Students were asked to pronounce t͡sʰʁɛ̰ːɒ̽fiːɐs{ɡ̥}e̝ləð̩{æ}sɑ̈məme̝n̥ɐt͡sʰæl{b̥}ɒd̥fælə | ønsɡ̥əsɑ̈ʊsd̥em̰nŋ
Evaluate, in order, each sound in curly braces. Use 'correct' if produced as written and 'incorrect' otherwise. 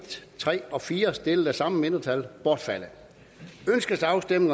incorrect: d̥, correct, correct

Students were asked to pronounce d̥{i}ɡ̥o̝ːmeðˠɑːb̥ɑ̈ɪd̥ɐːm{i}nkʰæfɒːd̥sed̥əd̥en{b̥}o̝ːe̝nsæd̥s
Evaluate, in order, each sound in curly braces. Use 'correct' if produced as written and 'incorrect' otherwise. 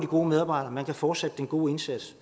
correct, incorrect: æ, incorrect: ɡ̥

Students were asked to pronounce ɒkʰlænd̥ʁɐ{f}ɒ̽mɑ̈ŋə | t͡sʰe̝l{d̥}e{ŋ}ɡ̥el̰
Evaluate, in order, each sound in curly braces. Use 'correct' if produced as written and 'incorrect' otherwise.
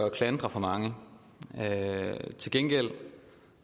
correct, incorrect: ɡ̥, incorrect: n

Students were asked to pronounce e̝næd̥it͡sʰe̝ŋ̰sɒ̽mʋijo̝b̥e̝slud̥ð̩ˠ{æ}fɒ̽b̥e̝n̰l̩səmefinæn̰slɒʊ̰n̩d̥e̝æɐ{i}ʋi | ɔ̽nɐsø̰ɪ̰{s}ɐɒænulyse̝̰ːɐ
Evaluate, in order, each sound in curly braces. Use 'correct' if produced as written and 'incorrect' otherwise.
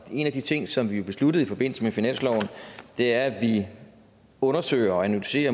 incorrect: i, incorrect: æ, incorrect: none

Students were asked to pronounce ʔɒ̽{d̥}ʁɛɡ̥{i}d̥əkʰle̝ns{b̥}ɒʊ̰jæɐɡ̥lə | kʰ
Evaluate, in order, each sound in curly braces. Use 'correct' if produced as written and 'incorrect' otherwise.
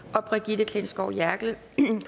incorrect: b̥, correct, incorrect: ɡ̥

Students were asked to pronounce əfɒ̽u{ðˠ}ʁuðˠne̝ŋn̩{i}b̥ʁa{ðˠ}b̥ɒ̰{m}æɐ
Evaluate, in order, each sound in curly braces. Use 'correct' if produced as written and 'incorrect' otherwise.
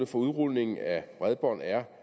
correct, incorrect: æ, correct, incorrect: n

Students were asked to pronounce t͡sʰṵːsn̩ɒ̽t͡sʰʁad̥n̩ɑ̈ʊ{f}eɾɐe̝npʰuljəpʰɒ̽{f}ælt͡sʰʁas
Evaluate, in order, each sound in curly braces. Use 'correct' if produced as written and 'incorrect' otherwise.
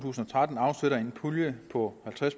incorrect: s, incorrect: h

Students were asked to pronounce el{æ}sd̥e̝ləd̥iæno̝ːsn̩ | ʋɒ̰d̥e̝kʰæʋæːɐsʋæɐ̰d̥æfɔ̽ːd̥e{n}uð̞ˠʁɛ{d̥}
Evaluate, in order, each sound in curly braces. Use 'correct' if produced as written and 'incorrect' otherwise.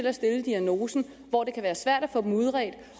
correct, incorrect: m, correct

